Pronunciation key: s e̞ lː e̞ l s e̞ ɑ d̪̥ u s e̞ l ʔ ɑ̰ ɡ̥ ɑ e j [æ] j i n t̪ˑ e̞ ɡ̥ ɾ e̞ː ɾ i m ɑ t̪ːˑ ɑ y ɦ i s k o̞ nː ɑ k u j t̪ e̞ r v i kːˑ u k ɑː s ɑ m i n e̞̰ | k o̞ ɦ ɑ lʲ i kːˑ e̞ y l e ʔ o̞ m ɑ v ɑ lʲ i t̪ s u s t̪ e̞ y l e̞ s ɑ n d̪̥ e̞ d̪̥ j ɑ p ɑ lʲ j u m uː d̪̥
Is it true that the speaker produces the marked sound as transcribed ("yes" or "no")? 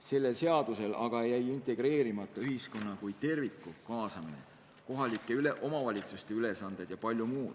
yes